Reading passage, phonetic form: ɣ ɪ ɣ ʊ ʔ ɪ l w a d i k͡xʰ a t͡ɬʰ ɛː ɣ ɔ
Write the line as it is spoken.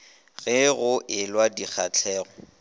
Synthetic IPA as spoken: ɣ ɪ ɣ ʊ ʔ ɪ l w a d i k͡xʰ a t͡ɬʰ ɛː ɣ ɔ

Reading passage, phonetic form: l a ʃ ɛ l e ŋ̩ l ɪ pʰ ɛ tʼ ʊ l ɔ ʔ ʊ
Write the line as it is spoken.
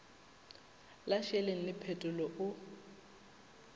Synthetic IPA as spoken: l a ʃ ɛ l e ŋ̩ l ɪ pʰ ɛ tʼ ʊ l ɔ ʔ ʊ

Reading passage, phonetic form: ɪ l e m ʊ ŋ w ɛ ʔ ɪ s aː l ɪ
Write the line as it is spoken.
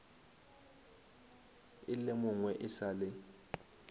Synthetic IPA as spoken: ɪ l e m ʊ ŋ w ɛ ʔ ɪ s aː l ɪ

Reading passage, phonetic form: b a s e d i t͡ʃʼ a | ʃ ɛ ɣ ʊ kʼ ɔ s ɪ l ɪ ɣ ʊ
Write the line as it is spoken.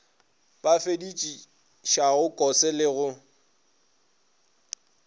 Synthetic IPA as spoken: b a f e d i t͡ʃʼ i | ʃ a ɣ ʊ kʼ ɔ s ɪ l ɪ ɣ ʊ

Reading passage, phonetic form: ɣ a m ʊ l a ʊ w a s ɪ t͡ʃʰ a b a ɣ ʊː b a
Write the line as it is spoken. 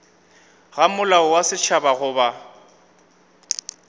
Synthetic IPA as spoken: ɣ a m ʊ l a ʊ w a s ɪ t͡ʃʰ a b a ɣ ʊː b a

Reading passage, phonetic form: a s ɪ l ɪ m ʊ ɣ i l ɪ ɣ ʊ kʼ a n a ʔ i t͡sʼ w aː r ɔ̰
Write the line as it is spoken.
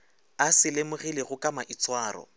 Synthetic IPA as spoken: a s ɪ l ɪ m ʊ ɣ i l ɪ ɣ ʊ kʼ a m a ʔ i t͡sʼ w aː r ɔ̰

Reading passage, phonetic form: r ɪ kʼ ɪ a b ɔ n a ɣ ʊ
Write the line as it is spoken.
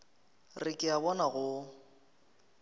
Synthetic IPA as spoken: r ɪ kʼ ɪ a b ɔ n a ɣ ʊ

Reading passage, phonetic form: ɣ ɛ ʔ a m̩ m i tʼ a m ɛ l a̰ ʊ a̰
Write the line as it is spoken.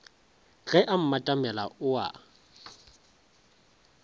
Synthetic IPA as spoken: ɣ ɛ ʔ a m̩ m a tʼ a m ɛ l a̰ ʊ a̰

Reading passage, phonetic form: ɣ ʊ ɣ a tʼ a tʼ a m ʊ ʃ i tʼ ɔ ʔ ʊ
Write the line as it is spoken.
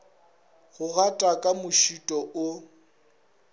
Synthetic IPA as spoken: ɣ ʊ ɣ a tʼ a kʼ a m ʊ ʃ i tʼ ɔ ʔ ʊ

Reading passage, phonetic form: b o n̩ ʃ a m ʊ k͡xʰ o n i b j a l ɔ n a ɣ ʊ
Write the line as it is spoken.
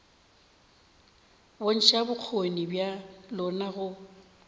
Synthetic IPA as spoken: b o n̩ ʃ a b ʊ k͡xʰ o n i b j a l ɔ n a ɣ ʊ

